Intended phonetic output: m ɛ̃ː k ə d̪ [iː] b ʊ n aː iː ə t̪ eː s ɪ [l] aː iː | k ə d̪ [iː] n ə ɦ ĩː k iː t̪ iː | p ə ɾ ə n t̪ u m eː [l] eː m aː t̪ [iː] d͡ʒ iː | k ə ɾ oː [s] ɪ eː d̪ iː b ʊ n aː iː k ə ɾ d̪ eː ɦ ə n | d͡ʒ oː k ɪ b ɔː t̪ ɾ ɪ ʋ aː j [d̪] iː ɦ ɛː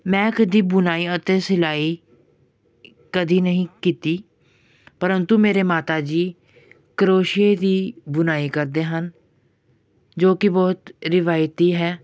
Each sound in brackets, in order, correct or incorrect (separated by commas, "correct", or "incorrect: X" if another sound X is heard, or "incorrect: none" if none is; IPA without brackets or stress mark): correct, correct, correct, incorrect: ɾ, incorrect: aː, incorrect: ʃ, incorrect: t̪